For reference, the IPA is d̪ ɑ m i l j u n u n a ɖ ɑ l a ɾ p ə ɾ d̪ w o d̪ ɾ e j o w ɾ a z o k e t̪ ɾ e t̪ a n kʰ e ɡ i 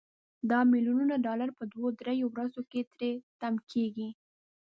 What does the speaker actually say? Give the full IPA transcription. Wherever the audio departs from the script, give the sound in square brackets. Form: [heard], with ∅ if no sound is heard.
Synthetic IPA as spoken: d̪ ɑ m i l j u n u n a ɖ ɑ l a ɾ p ə [∅] d̪ w o d̪ ɾ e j o w ɾ a z o k e t̪ ɾ e t̪ a [m] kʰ e ɡ i